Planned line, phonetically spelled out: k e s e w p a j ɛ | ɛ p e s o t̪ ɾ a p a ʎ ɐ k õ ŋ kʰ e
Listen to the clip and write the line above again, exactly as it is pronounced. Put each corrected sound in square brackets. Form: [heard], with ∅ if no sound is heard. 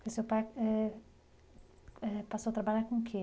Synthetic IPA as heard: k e s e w p a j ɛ | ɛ p [a] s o t̪ ɾ a [b] a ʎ [a] k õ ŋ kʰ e